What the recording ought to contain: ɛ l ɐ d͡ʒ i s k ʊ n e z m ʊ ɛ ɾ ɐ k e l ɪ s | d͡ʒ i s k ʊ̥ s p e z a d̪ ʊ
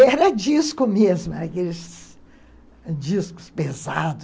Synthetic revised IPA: ɛ ɾ ɐ d͡ʒ i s k ʊ m e z m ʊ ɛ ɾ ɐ k e l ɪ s | d͡ʒ i s k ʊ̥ s p e z a d̪ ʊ